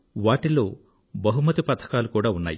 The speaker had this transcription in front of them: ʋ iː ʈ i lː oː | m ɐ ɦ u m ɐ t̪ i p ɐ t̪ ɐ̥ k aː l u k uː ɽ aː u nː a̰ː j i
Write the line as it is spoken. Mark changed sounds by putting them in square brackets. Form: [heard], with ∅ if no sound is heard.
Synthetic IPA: ʋ [aː] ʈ i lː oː | [b] ɐ ɦ u m ɐ t̪ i p ɐ [t̪ʰ] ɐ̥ k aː l u k uː ɽ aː u nː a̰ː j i

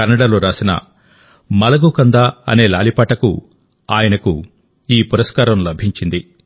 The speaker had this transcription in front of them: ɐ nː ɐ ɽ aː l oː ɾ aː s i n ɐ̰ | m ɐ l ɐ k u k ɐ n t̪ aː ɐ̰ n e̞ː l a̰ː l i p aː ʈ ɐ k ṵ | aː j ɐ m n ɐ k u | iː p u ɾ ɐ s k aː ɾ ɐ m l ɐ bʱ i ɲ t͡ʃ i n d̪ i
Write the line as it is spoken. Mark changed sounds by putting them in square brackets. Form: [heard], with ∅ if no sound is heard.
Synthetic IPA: ɐ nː ɐ ɽ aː l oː ɾ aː s i n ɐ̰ | m ɐ l ɐ [ɡ] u k ɐ n [d̪] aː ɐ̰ n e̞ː l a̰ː l i p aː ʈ ɐ k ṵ | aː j ɐ [∅] n ɐ k u | iː p u ɾ ɐ s k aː ɾ ɐ m l ɐ bʱ i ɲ t͡ʃ i n d̪ i

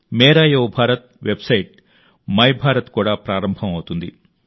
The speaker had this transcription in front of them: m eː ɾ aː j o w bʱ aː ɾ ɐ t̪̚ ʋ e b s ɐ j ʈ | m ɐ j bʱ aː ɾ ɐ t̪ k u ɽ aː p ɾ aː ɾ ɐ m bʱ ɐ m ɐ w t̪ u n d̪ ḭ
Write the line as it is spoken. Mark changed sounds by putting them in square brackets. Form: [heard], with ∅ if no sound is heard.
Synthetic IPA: m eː ɾ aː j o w bʱ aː ɾ ɐ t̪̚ ʋ e b s ɐ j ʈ | m ɐ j bʱ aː ɾ ɐ t̪ k [uː] ɽ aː p ɾ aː ɾ ɐ m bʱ ɐ m ɐ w t̪ u n d̪ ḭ

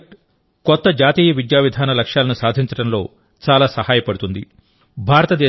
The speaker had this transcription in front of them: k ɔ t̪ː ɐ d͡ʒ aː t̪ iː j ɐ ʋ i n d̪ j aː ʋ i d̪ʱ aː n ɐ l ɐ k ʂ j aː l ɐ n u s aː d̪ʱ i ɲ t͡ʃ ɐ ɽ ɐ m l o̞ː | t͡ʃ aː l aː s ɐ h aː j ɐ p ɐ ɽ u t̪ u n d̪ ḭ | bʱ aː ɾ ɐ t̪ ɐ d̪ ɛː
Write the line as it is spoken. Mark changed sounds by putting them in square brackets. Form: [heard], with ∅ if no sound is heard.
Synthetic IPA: k ɔ t̪ː ɐ d͡ʒ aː t̪ iː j ɐ ʋ i [∅] d̪ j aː ʋ i d̪ʱ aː n ɐ l ɐ k ʂ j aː l ɐ n u s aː d̪ʱ i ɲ t͡ʃ ɐ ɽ ɐ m l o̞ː | t͡ʃ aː l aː s ɐ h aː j ɐ p ɐ ɽ u t̪ u n d̪ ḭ | bʱ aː ɾ ɐ t̪ ɐ d̪ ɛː

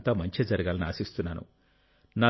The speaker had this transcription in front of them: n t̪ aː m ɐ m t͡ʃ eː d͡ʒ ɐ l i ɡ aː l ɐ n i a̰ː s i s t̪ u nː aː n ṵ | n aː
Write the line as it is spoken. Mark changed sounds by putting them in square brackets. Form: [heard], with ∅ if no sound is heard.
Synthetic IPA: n t̪ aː m ɐ [ɲ] t͡ʃ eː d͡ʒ ɐ [ɾ] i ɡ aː l ɐ n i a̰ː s i s t̪ u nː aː n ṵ | n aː

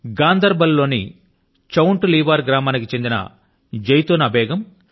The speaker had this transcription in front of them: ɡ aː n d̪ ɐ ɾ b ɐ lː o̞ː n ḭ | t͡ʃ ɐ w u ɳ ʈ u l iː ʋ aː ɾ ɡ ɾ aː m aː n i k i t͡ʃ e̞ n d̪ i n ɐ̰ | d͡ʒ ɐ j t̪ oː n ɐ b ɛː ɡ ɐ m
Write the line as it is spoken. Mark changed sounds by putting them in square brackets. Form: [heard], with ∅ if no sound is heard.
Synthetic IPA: ɡ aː n d̪ ɐ ɾ b ɐ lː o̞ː n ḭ | t͡ʃ ɐ w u ɳ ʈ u l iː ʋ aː ɾ ɡ ɾ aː m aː n i k i t͡ʃ e̞ n d̪ i n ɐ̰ | d͡ʒ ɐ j t̪ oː n ɐ b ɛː ɡ ɐ m

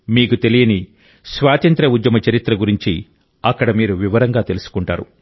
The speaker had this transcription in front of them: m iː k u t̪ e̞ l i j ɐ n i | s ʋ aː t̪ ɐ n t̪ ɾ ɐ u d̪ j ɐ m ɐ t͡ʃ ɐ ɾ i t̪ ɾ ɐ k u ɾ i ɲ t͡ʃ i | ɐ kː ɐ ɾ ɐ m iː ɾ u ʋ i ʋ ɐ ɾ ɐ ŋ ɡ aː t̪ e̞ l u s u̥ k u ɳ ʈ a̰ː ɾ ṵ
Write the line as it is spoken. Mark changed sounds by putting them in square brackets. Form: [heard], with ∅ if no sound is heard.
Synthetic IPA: m iː k u t̪ e̞ l i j ɐ n i | s ʋ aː t̪ ɐ n t̪ ɾ ɐ u d̪ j ɐ m ɐ t͡ʃ ɐ ɾ i t̪ ɾ ɐ [ɡ] u ɾ i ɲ t͡ʃ i | ɐ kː ɐ [ɽ] ɐ m iː ɾ u ʋ i ʋ ɐ ɾ ɐ ŋ ɡ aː t̪ e̞ l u s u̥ k u ɳ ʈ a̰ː ɾ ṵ

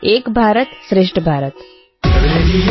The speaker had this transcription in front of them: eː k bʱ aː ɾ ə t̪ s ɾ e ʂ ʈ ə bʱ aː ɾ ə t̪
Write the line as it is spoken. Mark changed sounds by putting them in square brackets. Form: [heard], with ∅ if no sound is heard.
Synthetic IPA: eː k bʱ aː ɾ ə t̪ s ɾ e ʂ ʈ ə bʱ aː ɾ ə t̪

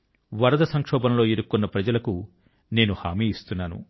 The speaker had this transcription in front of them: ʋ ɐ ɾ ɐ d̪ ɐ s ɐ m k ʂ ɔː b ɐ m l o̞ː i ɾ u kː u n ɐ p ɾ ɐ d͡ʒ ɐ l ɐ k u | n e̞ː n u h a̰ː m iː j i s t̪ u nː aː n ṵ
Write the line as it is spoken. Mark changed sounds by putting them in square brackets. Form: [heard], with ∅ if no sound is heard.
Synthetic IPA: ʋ ɐ ɾ ɐ d̪ ɐ s ɐ [ŋ] k ʂ ɔː b ɐ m l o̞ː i ɾ u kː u [nː] ɐ p ɾ ɐ d͡ʒ ɐ l ɐ k u | n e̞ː n u h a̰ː m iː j i s t̪ u nː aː n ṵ

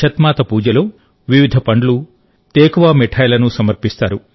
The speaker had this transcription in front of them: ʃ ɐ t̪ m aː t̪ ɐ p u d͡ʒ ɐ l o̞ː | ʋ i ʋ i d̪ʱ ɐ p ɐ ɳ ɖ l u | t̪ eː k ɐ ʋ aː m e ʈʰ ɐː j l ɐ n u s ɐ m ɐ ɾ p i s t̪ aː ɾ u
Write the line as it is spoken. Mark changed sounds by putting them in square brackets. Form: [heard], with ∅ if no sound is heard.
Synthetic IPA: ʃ ɐ t̪ m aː t̪ ɐ p [uː] d͡ʒ ɐ l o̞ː | ʋ i ʋ i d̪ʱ ɐ p ɐ ɳ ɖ l u | t̪ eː k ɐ ʋ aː m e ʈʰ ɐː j l ɐ n u s ɐ m ɐ ɾ p i s t̪ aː ɾ u

